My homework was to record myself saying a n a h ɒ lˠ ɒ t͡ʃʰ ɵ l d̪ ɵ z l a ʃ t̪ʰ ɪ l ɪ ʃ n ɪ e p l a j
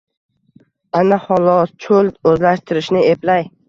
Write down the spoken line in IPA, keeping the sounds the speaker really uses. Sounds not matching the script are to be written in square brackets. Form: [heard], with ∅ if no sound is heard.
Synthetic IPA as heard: a n a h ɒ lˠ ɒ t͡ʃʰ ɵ l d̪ ɵ z l a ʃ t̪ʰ ɪ [ɾ] ɪ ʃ n ɪ e p l a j